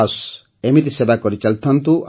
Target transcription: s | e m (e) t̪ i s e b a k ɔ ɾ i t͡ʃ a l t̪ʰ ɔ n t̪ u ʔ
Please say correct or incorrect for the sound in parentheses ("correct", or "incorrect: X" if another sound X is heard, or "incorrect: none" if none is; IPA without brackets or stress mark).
incorrect: i